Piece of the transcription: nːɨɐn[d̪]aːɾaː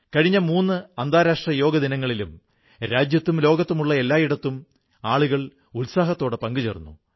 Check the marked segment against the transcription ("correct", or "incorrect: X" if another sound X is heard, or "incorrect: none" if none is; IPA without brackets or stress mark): correct